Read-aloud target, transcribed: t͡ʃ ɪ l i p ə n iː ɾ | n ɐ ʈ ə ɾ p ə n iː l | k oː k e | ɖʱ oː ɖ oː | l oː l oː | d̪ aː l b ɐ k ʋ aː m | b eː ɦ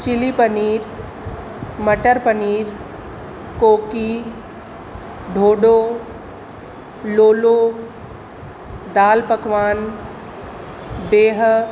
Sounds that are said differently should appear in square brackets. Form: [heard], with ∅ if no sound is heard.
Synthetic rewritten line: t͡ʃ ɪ l i p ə n iː ɾ | [m] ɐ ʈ ə ɾ p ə n iː [ɾ] | k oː k [i] | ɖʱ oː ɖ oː | l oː l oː | d̪ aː l [p] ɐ k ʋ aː [n] | b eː ɦ

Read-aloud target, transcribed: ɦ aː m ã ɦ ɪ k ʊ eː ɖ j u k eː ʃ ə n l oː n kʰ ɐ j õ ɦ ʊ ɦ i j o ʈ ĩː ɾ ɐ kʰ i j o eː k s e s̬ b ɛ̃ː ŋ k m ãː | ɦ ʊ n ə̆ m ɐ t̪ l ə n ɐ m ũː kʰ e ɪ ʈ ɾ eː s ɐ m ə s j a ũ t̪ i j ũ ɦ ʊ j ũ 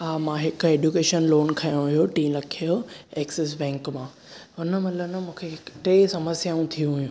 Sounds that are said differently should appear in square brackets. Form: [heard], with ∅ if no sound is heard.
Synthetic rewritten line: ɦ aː m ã ɦ ɪ k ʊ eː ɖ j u k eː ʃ ə n l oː n kʰ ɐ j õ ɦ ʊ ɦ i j o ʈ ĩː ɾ ɐ kʰ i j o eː k s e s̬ b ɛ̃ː ŋ k m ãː | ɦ ʊ n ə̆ m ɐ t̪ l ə n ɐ m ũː kʰ e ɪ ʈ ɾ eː s ɐ m ə s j a ũ [t̪ʰ] i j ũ ɦ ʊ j ũ

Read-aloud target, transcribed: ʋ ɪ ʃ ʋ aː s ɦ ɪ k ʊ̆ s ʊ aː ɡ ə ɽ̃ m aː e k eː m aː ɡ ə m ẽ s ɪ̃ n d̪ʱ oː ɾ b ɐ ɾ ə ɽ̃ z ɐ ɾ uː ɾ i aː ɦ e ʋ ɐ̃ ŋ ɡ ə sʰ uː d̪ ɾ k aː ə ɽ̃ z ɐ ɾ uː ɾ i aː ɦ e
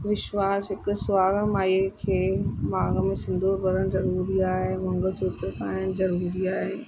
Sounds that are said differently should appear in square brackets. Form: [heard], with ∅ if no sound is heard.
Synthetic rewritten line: ʋ ɪ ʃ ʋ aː s ɦ ɪ k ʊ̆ s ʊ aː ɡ ə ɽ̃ m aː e [kʰ] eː m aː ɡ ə m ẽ s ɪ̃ n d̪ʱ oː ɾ b ɐ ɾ ə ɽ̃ z ɐ ɾ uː ɾ i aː ɦ e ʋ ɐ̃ ŋ ɡ ə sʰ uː [t̪] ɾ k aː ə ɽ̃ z ɐ ɾ uː ɾ i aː ɦ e

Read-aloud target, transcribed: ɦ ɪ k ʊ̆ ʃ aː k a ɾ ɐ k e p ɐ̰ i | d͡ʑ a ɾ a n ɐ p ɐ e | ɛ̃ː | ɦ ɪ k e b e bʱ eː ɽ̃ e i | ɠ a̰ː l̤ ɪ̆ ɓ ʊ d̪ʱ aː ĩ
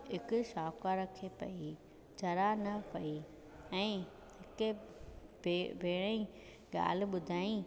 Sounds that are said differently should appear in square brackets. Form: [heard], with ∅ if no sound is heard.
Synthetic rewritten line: ɦ ɪ k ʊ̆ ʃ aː k a ɾ ɐ [kʰ] e p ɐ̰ i | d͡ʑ [ɐ] ɾ a n ɐ p ɐ [i] | ɛ̃ː | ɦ ɪ k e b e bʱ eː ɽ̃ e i | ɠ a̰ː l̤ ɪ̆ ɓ ʊ d̪ʱ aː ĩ

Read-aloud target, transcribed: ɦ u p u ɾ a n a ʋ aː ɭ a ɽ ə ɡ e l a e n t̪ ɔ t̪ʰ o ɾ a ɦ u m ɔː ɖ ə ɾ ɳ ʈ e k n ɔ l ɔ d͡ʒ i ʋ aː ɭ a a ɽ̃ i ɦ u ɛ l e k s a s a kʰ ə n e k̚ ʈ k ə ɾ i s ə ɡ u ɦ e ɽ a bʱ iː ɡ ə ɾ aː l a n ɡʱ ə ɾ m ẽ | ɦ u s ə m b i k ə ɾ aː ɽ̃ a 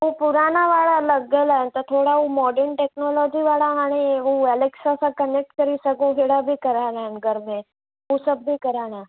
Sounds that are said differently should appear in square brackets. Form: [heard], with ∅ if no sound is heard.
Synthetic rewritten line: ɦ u p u ɾ a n a ʋ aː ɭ a [l] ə ɡ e l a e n t̪ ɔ t̪ʰ o [ɽ] a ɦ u m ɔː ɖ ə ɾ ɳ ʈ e k n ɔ l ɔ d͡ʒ i ʋ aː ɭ a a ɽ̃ i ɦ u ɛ l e k s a s a [k] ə n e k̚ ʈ k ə ɾ i s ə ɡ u ɦ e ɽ a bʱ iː [k] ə ɾ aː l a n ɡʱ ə ɾ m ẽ | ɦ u s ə [b] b i k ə ɾ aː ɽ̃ a

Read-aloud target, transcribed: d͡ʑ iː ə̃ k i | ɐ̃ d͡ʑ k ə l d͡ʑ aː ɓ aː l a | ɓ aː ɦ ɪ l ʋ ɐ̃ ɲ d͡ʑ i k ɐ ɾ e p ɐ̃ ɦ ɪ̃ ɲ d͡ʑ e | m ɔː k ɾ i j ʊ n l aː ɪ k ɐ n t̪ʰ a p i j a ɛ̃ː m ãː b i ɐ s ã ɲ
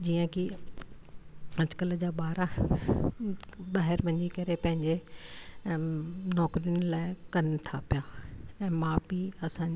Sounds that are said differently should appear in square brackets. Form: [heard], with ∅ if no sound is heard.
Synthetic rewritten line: d͡ʑ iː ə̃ k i | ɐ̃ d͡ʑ k ə l d͡ʑ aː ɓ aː [ɾ] a | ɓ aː ɦ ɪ [ɾ] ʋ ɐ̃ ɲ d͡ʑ i k ɐ ɾ e p ɐ̃ ɦ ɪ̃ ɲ d͡ʑ e | [n] ɔː k ɾ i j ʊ n l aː ɪ k ɐ n t̪ʰ a p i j a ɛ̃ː m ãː b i ɐ s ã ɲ

